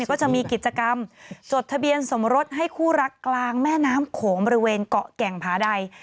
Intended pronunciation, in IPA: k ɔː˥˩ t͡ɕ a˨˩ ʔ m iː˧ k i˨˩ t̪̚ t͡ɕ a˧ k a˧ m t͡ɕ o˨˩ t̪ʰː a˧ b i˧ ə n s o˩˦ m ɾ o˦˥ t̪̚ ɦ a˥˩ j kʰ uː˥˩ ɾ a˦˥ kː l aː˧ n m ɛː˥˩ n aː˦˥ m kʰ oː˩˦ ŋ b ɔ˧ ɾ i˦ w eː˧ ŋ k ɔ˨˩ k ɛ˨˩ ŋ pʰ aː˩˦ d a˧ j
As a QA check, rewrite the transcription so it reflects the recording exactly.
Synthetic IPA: k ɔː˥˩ t͡ɕ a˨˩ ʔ m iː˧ k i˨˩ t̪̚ t͡ɕ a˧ k a˧ m t͡ɕ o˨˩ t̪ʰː a˧ b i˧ ə n s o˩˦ m ɾ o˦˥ t̪̚ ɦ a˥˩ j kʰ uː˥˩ ɾ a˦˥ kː l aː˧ ŋ m ɛː˥˩ n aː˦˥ m kʰ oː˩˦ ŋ b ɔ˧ ɾ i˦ w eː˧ n k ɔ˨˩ k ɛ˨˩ ŋ pʰ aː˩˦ d a˧ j